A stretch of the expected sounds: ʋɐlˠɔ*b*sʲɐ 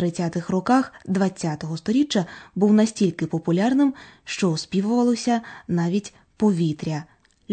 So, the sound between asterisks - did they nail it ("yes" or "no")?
no